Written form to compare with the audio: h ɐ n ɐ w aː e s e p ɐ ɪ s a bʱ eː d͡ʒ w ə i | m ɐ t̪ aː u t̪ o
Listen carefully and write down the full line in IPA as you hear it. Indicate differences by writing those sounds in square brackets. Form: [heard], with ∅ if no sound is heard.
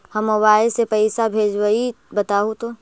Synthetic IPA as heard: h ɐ [m] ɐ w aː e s e p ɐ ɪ s a bʱ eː d͡ʒ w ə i | [b] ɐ t̪ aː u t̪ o